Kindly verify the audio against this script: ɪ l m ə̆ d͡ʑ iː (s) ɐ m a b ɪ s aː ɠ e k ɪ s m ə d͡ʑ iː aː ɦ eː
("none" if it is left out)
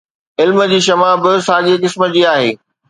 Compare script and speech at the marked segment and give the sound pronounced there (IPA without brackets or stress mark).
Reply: ʃ